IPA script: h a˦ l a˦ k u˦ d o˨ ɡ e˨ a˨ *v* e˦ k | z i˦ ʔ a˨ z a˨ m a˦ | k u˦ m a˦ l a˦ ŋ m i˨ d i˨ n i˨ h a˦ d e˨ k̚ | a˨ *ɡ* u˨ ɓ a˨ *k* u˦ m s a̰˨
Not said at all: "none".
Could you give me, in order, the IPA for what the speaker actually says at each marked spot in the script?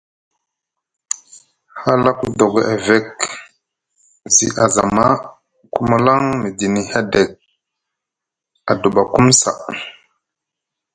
v, d, k

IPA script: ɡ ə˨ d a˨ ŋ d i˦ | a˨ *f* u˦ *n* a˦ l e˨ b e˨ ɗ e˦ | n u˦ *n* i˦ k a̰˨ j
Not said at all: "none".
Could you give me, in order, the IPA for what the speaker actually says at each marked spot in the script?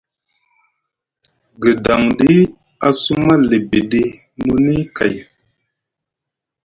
s, m, n

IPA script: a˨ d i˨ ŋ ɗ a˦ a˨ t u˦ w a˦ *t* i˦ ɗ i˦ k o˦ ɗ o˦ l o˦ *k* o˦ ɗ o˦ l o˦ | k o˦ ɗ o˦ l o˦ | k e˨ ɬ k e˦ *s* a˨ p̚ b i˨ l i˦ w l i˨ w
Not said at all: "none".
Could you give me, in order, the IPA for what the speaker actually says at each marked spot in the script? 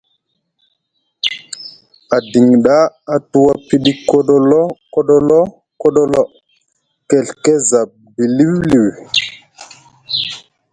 p, k, z

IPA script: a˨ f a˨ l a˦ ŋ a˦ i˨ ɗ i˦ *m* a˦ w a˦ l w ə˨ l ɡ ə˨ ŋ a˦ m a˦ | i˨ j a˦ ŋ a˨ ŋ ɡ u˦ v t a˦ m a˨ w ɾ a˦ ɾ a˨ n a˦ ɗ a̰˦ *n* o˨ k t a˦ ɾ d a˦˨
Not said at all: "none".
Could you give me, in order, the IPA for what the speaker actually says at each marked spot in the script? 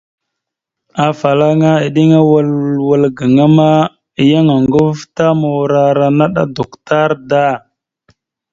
ŋ, d

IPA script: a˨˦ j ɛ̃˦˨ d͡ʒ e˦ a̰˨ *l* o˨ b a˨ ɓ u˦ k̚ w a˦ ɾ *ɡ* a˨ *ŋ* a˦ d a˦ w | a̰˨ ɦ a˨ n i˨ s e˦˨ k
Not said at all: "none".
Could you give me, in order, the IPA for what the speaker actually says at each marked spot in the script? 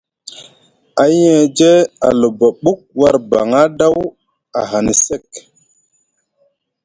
l, b, ŋ

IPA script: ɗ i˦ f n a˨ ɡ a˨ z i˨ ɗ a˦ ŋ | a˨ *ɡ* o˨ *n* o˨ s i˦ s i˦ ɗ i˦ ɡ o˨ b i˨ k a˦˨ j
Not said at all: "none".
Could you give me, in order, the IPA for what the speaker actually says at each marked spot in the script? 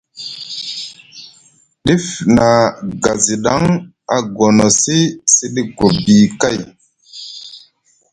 ɡ, n

